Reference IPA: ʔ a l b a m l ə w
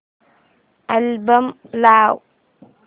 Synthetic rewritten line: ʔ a l b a m l a w